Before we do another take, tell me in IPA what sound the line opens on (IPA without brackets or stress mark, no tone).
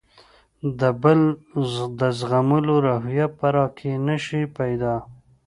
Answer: d̪